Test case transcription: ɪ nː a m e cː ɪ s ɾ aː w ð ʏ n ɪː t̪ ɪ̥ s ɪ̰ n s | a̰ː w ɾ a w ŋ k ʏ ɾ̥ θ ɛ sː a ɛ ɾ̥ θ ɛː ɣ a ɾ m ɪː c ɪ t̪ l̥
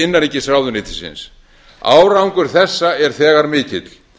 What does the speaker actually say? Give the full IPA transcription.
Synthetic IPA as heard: ɪ nː a n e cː ɪ s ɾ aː w ð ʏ n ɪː t̪ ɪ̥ s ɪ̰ n s | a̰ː w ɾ a w ŋ k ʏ ɾ̥ θ ɛ sː a ɛ ɾ̥ θ ɛː ɣ a ɾ m ɪː c ɪ t̪ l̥

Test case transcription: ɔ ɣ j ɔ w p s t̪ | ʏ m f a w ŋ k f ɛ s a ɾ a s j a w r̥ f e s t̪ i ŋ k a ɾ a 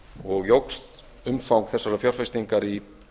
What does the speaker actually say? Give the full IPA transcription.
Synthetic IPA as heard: ɔ ɣ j o w k s t̪ | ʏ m f a w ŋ k θ ɛ s a ɾ a f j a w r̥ f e s t̪ i ŋ k a ɾ i

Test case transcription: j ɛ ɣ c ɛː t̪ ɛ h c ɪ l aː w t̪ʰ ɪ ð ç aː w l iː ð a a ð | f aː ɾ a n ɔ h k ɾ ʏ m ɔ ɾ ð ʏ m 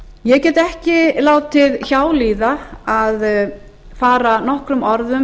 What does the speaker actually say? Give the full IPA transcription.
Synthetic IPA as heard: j ɛ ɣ c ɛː t̪ ɛ h c ɪ l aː w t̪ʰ ɪ ð ç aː w l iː ð a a ð | f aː ɾ a n ɔ h k ɾ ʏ m ɔ ɾ ð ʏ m

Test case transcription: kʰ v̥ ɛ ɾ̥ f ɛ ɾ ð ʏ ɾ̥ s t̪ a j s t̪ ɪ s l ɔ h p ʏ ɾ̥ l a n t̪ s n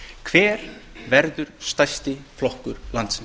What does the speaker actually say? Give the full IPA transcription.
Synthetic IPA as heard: kʰ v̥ ɛː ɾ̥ v ɛ ɾ ð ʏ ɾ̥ s t̪ a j s t̪ ɪ f l ɔ h k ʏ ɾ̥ l a n t̪ s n

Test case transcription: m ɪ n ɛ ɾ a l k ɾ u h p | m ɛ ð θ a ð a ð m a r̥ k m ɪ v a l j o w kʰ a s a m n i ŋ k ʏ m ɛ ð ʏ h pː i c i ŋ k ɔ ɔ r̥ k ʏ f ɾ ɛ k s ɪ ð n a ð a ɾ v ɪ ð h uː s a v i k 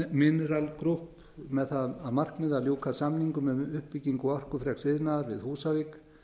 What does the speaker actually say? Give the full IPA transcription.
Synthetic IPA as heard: m ɪ n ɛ ɾ a l k ɾ u h p | m ɛ ð θ a ð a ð m a r̥ k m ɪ ð a l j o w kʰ a s a m n i ŋ k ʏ m ɛ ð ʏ h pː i c i ŋ k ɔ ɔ r̥ k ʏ f ɾ ɛ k s ɪ ð n a ð a ɾ v ɪ ð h uː s a v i k

